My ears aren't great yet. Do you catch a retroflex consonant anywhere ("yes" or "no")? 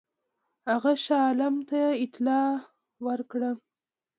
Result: yes